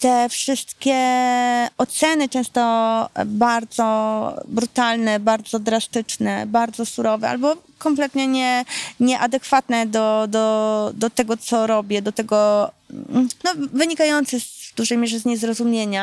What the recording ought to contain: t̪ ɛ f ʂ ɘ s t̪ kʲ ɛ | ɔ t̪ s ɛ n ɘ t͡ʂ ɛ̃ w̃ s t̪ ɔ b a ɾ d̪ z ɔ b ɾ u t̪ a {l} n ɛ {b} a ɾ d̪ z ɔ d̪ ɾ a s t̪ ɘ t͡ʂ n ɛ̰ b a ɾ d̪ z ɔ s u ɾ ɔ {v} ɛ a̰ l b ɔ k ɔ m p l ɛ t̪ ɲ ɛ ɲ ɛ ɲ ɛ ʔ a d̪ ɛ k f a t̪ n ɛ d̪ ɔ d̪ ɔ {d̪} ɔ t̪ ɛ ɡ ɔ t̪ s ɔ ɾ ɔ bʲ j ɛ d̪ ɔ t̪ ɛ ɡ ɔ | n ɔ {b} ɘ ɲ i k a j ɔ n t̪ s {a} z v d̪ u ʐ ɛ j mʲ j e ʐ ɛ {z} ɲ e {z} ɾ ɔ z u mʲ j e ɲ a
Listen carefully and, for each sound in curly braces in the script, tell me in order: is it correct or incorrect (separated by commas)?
correct, correct, correct, correct, incorrect, incorrect, correct, correct